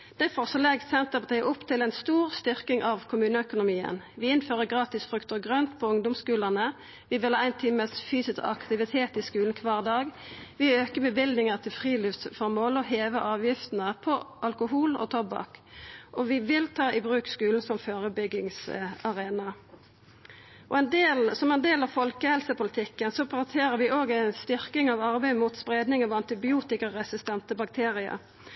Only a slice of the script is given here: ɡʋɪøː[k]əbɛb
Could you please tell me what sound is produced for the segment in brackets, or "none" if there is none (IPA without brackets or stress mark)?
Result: k